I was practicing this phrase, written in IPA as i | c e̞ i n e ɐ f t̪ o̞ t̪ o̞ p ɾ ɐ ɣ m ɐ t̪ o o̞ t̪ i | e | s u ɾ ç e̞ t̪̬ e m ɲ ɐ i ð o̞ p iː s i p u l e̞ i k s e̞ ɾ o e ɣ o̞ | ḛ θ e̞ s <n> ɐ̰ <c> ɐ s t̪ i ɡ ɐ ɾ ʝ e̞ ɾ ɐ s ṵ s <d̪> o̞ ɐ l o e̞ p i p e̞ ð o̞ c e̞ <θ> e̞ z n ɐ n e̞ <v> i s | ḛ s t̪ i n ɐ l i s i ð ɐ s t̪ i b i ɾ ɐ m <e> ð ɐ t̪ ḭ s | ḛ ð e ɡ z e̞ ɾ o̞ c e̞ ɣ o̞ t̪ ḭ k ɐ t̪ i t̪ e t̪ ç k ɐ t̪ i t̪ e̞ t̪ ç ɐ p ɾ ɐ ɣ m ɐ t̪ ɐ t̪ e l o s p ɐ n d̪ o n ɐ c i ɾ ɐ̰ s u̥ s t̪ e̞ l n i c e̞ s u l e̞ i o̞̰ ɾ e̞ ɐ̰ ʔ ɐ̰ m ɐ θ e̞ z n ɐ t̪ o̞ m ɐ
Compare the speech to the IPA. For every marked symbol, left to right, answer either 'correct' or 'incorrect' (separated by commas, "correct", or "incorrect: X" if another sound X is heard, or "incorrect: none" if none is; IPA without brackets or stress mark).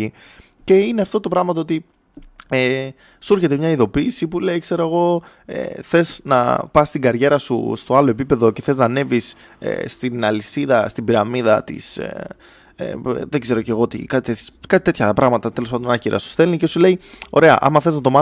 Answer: correct, incorrect: p, incorrect: t̪, correct, correct, incorrect: i